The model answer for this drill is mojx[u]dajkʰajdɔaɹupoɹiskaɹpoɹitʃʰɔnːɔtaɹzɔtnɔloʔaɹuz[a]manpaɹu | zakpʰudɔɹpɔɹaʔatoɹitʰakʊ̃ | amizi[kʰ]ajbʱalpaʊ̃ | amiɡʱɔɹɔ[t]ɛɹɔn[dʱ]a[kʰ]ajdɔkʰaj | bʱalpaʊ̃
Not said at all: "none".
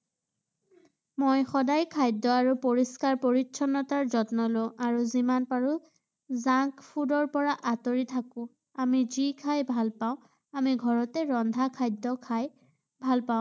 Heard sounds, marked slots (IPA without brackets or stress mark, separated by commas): ɔ, i, kʰ, t, dʱ, kʰ